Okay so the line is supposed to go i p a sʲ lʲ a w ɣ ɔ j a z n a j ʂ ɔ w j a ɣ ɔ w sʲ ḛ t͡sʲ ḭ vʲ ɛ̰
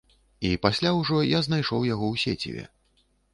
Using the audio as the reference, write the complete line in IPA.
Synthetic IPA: i p a sʲ lʲ a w ʐ ɔ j a z n a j ʂ ɔ w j a ɣ ɔ w sʲ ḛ t͡sʲ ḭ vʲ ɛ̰